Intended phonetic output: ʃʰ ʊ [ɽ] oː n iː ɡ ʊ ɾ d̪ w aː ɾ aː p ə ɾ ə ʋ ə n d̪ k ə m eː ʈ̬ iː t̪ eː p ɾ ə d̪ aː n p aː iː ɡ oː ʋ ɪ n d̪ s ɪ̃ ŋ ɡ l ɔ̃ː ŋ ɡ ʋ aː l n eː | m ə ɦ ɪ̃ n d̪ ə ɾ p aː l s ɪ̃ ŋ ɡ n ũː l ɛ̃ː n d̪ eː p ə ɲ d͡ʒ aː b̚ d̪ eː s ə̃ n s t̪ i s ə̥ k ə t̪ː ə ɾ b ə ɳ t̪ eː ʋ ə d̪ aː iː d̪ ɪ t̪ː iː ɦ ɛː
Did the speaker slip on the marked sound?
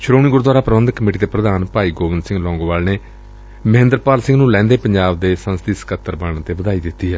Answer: yes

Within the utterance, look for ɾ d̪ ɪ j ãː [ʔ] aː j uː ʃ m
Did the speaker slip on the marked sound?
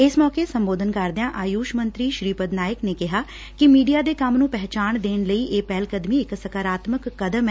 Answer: no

